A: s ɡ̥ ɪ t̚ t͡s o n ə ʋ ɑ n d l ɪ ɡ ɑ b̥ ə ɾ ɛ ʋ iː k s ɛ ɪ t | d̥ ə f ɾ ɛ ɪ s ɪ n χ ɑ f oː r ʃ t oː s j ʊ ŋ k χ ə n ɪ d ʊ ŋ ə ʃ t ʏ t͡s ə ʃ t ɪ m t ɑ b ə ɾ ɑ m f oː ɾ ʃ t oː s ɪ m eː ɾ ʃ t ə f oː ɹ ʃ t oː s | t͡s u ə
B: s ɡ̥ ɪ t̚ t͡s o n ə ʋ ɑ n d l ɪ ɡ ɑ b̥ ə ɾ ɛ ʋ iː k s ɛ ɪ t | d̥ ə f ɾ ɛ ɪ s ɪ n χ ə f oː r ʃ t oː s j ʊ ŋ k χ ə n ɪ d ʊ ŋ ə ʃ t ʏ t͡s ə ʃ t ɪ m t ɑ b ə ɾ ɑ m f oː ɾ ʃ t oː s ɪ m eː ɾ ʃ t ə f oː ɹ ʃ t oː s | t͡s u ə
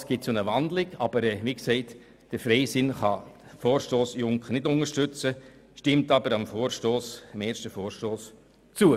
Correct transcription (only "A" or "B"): A